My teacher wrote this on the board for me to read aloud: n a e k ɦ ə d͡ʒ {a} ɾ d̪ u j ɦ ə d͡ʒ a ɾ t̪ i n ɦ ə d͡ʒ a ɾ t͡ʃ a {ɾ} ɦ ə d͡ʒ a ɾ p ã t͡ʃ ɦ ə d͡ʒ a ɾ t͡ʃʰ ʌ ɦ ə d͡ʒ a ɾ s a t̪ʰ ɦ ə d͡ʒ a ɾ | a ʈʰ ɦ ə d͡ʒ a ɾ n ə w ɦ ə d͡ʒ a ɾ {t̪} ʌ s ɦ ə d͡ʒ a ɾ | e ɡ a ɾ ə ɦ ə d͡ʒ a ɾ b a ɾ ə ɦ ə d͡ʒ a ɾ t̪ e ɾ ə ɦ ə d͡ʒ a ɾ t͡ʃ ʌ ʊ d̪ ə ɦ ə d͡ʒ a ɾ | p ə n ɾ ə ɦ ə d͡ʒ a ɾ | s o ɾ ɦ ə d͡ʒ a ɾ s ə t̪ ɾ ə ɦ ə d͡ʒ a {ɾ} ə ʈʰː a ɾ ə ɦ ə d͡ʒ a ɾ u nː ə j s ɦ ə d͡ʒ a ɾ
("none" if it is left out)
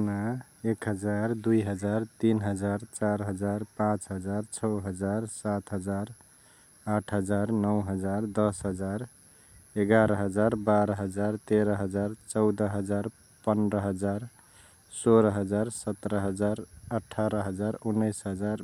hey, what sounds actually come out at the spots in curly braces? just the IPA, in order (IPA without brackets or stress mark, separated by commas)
a, ɾ, d̪, ɾ